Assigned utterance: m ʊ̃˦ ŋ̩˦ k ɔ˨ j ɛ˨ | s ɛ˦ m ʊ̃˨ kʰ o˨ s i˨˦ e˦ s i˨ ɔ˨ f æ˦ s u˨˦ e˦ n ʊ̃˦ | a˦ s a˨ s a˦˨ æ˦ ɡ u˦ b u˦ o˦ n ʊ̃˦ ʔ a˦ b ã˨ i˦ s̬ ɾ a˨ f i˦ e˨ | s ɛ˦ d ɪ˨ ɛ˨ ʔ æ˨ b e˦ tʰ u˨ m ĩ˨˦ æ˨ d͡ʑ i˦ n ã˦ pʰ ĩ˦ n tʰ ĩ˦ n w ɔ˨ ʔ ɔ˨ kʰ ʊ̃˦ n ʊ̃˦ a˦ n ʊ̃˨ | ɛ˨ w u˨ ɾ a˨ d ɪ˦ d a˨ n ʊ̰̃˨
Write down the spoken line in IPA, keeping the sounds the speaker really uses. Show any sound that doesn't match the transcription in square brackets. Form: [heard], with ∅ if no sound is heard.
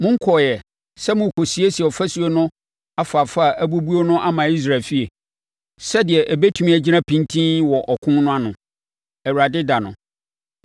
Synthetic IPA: m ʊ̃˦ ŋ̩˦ [kʰ] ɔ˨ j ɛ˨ | s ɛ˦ m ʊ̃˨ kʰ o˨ s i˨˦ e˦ s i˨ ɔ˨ f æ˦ s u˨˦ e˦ n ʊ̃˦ | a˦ [f] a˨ [f] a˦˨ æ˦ [b] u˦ b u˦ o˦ n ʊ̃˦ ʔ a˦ [m] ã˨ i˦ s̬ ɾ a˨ f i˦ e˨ | s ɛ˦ d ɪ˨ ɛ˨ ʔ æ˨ b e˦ tʰ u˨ m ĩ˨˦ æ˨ d͡ʑ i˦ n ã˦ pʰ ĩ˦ n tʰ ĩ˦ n w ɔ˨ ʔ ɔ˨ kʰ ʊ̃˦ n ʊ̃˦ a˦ n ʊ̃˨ | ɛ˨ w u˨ ɾ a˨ d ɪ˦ d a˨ n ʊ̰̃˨